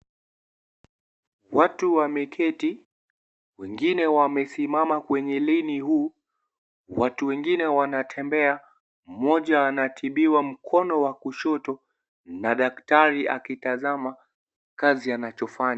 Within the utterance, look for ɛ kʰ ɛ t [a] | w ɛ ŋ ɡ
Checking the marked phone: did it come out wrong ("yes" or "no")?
yes